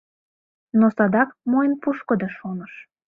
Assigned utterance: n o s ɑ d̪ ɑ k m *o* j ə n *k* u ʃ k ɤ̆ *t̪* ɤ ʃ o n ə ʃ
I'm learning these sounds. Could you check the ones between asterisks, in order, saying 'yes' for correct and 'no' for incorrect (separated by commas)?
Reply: yes, no, no